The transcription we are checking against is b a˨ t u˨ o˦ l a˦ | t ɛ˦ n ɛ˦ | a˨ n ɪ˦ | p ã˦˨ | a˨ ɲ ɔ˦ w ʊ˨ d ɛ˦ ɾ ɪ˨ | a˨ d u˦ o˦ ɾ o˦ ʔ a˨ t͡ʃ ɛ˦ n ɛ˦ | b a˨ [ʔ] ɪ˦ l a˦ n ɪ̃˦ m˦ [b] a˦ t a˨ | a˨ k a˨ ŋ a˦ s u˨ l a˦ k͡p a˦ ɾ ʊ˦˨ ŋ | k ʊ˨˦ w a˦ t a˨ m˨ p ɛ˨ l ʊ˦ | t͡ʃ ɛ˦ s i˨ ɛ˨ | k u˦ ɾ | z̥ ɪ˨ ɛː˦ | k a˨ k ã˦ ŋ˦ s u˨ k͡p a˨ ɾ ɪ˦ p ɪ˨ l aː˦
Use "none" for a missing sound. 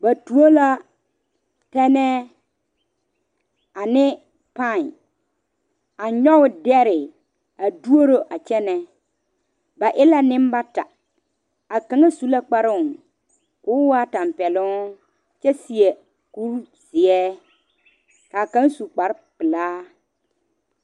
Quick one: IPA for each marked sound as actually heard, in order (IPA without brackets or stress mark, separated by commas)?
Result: ʔ, b